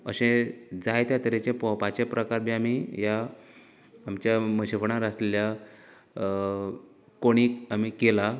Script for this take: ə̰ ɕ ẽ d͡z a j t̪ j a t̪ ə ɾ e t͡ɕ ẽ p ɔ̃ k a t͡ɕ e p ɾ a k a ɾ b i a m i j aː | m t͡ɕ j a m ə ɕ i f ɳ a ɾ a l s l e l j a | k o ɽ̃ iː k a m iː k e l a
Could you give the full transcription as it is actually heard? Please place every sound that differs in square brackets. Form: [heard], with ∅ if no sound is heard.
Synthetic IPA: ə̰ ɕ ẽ d͡z a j t̪ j a t̪ ə ɾ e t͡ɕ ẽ p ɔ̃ [p] a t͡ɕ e p ɾ [ə] k a ɾ b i a m i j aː | m t͡ɕ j a m ə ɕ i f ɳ a ɾ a [∅] s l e l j a | k o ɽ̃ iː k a m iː k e l a

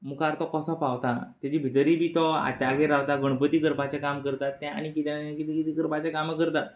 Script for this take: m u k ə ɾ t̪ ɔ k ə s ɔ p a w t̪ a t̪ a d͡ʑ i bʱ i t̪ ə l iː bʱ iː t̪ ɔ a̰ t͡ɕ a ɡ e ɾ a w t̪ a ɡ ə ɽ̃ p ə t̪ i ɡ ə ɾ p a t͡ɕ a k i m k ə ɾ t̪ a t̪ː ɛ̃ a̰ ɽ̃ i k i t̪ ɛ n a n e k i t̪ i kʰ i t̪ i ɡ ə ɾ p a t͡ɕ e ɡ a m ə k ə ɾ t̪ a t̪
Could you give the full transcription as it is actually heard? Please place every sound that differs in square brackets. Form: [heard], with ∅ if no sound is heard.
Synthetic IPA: m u k [a] ɾ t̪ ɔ k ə s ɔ p a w t̪ a t̪ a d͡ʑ i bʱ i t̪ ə [ɾ] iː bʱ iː t̪ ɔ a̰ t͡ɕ a ɡ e ɾ a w t̪ a ɡ ə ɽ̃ p ə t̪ i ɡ ə ɾ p a t͡ɕ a k [a] m k ə ɾ t̪ a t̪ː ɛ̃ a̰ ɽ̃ i k i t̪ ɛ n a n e k i t̪ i [k] i t̪ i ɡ ə ɾ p a t͡ɕ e [k] a m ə k ə ɾ t̪ a t̪

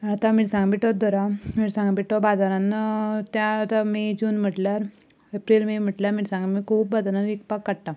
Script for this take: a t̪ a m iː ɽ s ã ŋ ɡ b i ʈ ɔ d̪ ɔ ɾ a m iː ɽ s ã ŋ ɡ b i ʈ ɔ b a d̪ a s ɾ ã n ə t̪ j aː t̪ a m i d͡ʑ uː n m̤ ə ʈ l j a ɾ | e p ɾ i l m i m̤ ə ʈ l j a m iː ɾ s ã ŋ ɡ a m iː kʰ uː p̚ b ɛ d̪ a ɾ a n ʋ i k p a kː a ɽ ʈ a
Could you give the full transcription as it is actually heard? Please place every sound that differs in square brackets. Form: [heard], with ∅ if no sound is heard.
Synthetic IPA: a t̪ a m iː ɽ s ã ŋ ɡ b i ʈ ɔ d̪ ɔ ɾ a m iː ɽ s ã ŋ ɡ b i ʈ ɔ b a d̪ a [∅] ɾ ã n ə t̪ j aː t̪ a m i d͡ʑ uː n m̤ ə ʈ l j a ɾ | e p ɾ i l m i m̤ ə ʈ l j a m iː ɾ s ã ŋ ɡ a m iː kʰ uː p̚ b [a] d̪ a ɾ a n ʋ i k p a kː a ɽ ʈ a

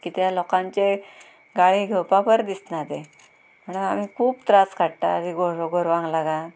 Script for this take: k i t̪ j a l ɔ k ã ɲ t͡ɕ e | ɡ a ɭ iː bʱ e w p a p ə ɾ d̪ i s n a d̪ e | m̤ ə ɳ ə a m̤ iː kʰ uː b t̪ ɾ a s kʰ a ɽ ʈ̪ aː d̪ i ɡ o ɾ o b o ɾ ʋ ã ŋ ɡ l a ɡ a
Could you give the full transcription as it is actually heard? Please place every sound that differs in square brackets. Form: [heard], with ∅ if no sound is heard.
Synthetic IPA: k i t̪ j a l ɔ k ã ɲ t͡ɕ e | ɡ a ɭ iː [ɡʱ] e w p a p ə ɾ d̪ i s n a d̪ e | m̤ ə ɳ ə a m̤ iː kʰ uː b t̪ ɾ a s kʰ a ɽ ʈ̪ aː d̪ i ɡ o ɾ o [ɡ] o ɾ ʋ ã ŋ ɡ l a ɡ a

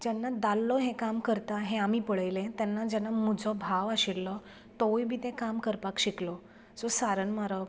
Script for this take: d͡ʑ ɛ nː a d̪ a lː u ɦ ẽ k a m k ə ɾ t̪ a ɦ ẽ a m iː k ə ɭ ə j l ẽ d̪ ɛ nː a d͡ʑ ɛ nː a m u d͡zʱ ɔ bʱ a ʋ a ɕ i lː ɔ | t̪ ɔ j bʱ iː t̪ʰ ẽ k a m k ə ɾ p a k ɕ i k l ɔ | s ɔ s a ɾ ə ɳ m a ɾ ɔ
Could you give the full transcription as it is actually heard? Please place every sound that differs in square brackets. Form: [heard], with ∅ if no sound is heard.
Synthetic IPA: d͡ʑ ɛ nː a d̪ a lː [ɔ] ɦ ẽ k a m k ə ɾ t̪ a ɦ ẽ a m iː [p] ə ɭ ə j l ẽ [t̪] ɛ nː a d͡ʑ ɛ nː a m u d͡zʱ ɔ bʱ a ʋ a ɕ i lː ɔ | t̪ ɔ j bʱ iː [t̪] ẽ k a m k ə ɾ p a k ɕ i k l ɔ | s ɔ s a ɾ ə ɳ m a ɾ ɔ

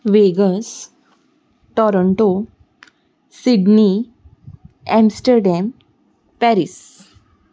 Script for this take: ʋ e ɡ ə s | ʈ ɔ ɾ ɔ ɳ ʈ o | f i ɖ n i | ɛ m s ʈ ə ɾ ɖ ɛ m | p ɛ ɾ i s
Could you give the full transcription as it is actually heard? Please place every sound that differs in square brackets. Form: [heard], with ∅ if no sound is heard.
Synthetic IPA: ʋ e ɡ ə s | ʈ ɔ ɾ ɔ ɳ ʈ o | [s] i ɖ n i | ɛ m s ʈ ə ɾ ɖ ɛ m | p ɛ ɾ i s

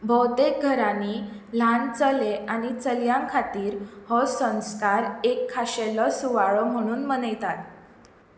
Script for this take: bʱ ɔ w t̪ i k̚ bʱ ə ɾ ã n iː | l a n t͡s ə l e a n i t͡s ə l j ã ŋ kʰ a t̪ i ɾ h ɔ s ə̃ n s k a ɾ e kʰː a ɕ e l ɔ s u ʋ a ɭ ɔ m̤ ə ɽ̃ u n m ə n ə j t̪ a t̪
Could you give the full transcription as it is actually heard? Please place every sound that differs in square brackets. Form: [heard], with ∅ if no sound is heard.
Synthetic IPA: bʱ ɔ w t̪ [e] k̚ [ɡʱ] ə ɾ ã n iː | l a n t͡s ə l e a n i t͡s ə l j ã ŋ kʰ a t̪ [iː] ɾ h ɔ s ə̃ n s k a ɾ e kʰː a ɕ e l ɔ s u ʋ a ɭ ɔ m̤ ə ɽ̃ [uː] n m ə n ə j t̪ a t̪

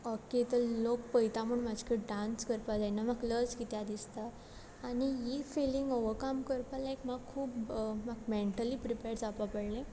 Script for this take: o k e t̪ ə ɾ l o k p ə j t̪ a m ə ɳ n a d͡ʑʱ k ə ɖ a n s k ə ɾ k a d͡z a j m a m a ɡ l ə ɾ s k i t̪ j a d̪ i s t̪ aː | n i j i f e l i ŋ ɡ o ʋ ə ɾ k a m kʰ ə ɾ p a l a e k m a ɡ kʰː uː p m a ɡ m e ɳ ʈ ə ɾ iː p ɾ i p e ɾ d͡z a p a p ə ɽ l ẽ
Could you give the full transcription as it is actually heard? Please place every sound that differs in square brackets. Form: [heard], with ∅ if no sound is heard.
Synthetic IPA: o k e t̪ ə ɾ l o k p ə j t̪ a m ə ɳ [m] a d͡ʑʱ k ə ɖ a n s k ə ɾ [p] a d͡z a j [n] a m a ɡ l ə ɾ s k i t̪ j a d̪ i s t̪ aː | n i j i f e l i ŋ ɡ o ʋ ə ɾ k a m [k] ə ɾ p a l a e k m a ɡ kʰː uː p m a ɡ m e ɳ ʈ ə [l] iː p ɾ i p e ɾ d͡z a p a p ə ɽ l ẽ

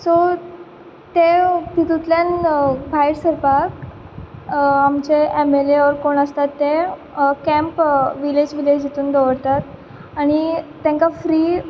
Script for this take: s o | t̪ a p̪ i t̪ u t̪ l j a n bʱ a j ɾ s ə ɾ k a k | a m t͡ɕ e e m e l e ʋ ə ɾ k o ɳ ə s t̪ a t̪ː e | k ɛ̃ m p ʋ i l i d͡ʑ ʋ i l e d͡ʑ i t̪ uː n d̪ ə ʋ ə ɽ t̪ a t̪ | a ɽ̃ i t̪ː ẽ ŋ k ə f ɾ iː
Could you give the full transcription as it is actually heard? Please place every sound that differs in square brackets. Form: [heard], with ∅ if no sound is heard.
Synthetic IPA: s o | t̪ [e] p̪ i t̪ u t̪ l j a n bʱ a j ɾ s ə ɾ [p] a k | a m t͡ɕ e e m e l e ʋ ə ɾ k o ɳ ə s t̪ a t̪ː e | k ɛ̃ m p ʋ i l [e] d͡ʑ ʋ i l e d͡ʑ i t̪ uː n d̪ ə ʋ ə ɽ t̪ a t̪ | a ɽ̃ i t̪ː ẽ ŋ k [a] f ɾ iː

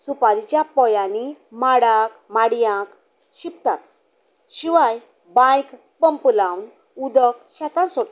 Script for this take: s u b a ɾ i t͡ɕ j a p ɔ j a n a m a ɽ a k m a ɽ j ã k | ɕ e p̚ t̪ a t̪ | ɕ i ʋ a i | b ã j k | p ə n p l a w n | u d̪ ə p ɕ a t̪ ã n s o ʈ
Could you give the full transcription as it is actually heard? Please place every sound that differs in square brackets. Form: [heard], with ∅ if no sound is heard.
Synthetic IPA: s u [p] a ɾ i t͡ɕ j a p ɔ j a n [i] m a ɽ a k m a ɽ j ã k | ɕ [i] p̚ t̪ a t̪ | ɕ i ʋ a [j] | b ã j k | p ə [m] p l a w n | u d̪ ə [k] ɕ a t̪ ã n s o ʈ

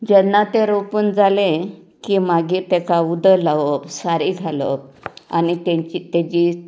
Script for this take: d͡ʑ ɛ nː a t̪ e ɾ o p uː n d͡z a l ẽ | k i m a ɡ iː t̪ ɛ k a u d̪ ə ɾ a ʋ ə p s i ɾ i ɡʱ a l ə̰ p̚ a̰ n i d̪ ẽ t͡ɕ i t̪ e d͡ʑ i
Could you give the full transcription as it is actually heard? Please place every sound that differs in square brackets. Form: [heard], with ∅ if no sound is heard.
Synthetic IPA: d͡ʑ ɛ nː a t̪ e ɾ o p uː n d͡z a l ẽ | k i m a ɡ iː t̪ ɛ k a u d̪ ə [l] a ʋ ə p s [a] ɾ i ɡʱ a l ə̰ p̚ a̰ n i [t̪] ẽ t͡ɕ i t̪ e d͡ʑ i

